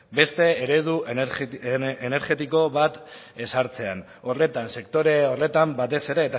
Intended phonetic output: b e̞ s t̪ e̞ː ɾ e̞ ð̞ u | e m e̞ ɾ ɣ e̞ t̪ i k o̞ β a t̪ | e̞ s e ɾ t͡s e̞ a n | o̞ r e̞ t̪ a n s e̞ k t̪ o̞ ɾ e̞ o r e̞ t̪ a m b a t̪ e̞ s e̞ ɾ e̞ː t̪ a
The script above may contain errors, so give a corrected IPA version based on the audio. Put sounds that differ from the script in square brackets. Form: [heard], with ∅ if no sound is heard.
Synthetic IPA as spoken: b e̞ s t̪ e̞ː ɾ e̞ ð̞ u | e [n] e̞ ɾ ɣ e̞ t̪ i k o̞ β a t̪ | e̞ s [a] ɾ t͡s e̞ a n | o̞ r e̞ t̪ a n s e̞ k t̪ o̞ ɾ e̞ o r e̞ t̪ a m b a t̪ e̞ s e̞ ɾ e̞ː t̪ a